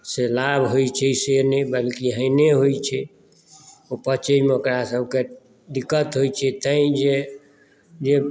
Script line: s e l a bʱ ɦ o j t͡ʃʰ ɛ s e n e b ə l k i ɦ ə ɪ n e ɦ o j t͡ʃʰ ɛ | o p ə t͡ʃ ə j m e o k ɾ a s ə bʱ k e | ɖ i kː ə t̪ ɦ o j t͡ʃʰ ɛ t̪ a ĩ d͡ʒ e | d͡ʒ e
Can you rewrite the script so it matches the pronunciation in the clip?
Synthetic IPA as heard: s e l a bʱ ɦ o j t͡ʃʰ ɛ s e n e b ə l k i ɦ ə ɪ n e ɦ o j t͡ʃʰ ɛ | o p ə t͡ʃ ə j m e o k ɾ a s ə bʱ k e | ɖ i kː ə t̪ ɦ o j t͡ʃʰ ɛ t̪ ə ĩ d͡ʒ e | d͡ʒ e